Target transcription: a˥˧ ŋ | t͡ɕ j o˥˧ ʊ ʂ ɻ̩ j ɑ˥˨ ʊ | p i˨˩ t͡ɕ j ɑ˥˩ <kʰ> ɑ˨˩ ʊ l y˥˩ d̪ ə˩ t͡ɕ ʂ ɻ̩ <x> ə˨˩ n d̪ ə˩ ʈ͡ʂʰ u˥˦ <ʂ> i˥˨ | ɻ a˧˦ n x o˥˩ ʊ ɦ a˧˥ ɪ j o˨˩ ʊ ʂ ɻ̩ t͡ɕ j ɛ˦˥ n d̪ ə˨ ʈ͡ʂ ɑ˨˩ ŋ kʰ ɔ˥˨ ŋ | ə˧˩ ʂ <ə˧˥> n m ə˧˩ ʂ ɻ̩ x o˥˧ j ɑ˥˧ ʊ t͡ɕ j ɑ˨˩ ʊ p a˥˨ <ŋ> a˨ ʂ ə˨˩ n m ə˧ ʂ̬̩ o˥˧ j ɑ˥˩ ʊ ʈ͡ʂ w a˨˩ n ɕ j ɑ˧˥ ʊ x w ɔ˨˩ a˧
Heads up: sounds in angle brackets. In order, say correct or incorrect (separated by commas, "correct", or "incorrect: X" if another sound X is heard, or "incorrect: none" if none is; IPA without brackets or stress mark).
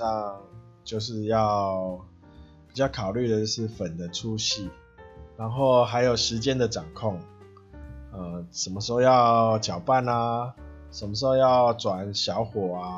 correct, incorrect: f, incorrect: ɕ, incorrect: ə˨˩, incorrect: n